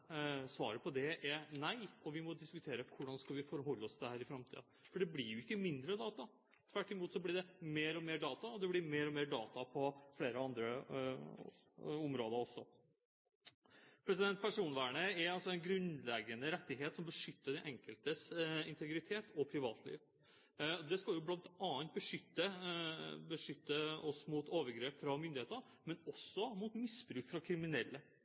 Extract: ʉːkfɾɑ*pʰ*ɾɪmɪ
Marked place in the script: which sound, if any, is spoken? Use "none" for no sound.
kʰ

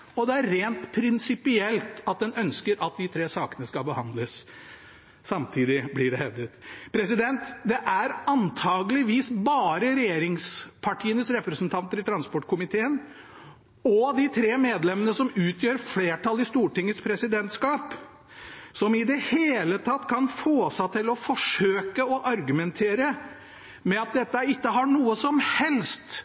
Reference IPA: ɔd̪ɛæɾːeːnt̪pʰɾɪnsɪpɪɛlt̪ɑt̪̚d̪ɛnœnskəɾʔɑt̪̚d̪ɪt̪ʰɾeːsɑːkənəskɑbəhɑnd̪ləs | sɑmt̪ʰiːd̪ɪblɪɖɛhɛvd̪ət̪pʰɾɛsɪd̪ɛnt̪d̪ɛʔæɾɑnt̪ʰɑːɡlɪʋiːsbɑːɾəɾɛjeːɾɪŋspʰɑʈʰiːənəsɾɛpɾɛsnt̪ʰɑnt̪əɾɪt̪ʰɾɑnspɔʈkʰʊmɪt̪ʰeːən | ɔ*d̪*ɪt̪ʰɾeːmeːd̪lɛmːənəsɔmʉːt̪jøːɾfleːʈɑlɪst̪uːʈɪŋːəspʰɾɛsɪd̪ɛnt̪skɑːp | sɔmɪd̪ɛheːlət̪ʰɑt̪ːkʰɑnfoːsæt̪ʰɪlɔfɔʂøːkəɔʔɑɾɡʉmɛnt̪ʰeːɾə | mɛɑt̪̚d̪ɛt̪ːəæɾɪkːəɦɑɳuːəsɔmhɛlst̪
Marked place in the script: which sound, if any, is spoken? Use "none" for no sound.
d̪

